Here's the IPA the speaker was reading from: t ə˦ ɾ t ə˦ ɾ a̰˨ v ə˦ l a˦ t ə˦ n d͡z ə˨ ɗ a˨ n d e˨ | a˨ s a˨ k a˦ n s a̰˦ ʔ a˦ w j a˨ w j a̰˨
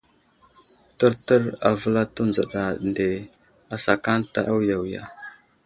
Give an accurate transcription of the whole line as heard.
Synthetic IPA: t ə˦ ɾ t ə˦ ɾ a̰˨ v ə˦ l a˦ t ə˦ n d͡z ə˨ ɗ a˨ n d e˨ | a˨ s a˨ k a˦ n t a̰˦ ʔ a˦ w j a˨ w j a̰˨